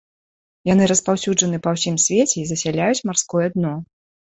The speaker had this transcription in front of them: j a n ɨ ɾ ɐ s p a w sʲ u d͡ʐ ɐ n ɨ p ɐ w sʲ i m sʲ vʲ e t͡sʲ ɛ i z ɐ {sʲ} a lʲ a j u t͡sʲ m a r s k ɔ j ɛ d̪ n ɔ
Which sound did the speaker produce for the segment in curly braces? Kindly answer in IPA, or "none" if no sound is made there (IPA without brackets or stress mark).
sʲ